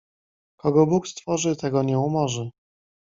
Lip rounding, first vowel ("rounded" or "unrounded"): rounded